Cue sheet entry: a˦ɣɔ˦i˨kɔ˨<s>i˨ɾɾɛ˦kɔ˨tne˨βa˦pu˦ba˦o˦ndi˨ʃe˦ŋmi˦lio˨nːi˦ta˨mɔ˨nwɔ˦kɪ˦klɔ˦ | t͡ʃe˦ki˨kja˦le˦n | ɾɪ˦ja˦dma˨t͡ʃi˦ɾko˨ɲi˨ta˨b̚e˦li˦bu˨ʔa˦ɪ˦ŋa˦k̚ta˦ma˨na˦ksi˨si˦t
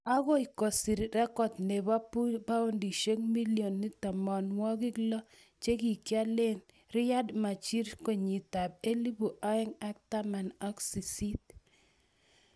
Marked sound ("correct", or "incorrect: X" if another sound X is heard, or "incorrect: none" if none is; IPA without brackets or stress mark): correct